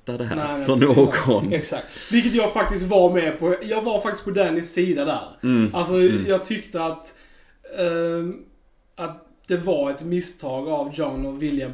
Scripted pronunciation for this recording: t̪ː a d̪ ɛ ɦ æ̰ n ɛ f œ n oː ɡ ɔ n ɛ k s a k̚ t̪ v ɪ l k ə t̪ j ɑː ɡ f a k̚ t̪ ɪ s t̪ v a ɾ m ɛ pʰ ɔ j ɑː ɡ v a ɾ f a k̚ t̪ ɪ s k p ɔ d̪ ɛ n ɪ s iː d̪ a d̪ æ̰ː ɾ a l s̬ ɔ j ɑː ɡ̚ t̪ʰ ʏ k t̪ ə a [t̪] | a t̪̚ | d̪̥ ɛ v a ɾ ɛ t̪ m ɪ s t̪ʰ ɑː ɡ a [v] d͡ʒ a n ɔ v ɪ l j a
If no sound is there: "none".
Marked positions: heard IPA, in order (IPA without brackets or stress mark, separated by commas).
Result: t̪, v